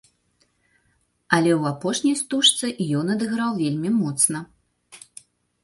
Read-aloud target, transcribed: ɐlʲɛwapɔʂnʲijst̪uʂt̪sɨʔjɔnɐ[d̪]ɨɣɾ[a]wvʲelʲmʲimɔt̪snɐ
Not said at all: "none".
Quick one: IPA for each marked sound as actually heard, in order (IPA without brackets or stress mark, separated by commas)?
d̪, a